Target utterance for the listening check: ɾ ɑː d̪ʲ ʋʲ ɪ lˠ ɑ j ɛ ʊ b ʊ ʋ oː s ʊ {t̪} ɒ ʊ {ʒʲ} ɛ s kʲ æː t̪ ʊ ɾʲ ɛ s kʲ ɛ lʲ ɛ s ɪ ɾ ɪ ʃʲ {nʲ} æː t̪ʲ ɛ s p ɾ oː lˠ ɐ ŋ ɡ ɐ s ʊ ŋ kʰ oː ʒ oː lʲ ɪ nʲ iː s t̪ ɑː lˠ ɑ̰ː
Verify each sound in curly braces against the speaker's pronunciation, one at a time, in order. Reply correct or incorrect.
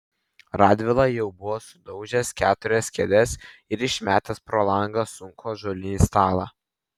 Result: incorrect: d̪, correct, incorrect: mʲ

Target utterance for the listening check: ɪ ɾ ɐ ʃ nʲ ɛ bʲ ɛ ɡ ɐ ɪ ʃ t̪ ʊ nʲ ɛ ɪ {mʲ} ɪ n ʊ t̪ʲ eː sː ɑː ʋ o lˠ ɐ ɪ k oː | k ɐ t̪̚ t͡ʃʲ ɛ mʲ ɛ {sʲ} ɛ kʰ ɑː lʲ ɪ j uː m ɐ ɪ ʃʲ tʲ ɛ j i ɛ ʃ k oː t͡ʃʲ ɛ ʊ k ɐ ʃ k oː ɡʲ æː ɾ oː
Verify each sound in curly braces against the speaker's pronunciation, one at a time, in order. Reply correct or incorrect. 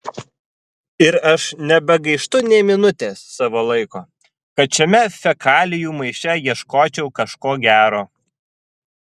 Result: correct, incorrect: fʲ

